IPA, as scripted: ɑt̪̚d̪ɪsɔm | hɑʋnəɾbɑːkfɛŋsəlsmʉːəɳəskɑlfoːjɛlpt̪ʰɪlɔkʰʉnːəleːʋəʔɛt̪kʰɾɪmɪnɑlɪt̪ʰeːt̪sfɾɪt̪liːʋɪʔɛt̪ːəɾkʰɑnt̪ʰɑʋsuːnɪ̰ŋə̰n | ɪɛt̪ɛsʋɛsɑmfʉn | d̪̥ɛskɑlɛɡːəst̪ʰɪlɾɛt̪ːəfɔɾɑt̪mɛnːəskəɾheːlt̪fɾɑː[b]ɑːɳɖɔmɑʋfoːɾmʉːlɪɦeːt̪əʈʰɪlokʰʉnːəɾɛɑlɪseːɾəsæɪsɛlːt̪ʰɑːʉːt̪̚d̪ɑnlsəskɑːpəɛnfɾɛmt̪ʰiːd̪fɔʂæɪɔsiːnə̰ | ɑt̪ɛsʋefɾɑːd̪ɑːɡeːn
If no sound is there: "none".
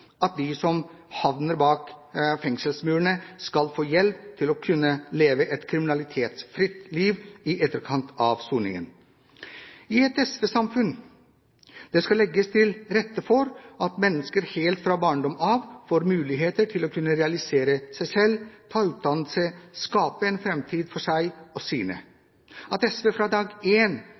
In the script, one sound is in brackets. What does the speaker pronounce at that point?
b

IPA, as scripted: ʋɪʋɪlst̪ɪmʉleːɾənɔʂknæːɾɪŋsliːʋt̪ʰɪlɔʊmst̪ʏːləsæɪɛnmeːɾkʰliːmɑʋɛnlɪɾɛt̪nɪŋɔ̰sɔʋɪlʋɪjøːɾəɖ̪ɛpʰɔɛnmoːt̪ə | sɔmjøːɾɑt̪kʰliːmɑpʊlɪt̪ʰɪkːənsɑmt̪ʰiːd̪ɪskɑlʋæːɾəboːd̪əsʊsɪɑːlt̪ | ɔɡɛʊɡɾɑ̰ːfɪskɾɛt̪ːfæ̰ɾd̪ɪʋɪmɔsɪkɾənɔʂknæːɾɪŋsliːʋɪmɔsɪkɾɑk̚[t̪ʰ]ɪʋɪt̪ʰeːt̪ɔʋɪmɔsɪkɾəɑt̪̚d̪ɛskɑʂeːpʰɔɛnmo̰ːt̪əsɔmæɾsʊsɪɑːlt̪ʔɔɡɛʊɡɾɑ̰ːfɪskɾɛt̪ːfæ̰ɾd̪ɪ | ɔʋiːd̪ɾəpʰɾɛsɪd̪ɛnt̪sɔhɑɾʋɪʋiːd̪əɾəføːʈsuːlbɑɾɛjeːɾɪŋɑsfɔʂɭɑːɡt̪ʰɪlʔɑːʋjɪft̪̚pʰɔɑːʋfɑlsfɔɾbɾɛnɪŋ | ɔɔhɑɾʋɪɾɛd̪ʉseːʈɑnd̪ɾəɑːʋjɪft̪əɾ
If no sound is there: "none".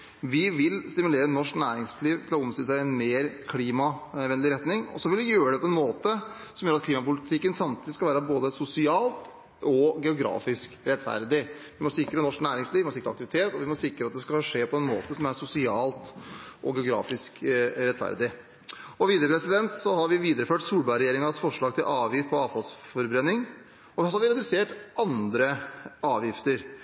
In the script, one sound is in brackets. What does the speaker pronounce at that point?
t̪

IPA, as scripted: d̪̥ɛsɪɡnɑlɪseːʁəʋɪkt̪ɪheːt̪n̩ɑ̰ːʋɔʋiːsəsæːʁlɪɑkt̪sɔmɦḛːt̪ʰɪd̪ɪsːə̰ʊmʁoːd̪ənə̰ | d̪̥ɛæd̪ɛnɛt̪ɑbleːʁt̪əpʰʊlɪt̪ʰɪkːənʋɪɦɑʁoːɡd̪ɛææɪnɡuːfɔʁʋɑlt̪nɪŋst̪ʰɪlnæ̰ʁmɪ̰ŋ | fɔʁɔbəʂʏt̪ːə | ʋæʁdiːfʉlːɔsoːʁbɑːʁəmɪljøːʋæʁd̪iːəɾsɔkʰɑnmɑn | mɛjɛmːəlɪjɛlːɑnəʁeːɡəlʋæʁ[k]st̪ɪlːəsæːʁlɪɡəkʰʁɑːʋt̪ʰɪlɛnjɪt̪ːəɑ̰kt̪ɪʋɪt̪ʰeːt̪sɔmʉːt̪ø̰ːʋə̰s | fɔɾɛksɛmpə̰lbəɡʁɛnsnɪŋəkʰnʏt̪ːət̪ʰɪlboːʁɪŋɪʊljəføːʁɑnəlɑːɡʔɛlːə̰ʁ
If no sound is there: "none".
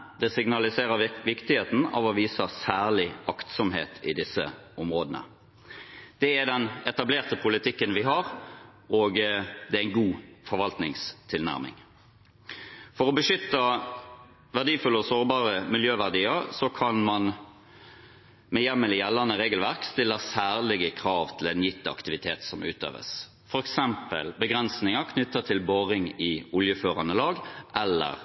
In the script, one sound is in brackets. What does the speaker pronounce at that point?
k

